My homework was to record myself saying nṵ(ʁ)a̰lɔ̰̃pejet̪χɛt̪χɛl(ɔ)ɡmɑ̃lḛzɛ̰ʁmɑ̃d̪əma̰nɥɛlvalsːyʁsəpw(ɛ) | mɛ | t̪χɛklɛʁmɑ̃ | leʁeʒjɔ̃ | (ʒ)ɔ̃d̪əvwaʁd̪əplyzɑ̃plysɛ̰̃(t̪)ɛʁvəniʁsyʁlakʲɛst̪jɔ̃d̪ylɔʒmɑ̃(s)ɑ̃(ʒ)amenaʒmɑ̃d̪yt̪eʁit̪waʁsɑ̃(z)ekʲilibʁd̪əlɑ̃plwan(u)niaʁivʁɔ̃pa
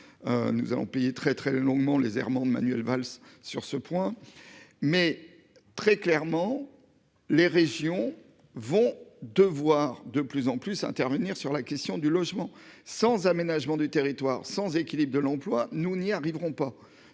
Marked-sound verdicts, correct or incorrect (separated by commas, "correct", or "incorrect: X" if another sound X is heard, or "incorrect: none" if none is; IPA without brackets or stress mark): incorrect: z, incorrect: ɔ̃, incorrect: ɛ̃, incorrect: v, correct, correct, incorrect: z, correct, correct